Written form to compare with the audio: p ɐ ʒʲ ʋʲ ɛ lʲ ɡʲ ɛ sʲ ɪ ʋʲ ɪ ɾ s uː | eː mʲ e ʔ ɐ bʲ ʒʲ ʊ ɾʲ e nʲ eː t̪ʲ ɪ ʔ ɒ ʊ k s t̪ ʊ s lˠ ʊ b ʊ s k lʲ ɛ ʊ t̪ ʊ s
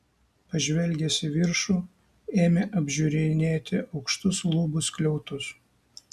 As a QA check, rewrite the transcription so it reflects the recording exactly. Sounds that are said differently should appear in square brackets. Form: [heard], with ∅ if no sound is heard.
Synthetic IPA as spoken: p ɐ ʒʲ ʋʲ ɛ lʲ ɡʲ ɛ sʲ ɪ ʋʲ ɪ ɾ [ʃ] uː | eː mʲ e ʔ ɐ bʲ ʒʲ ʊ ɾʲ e nʲ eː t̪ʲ ɪ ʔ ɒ ʊ k [ʃ] t̪ ʊ s lˠ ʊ b ʊ s k lʲ ɛ ʊ t̪ ʊ s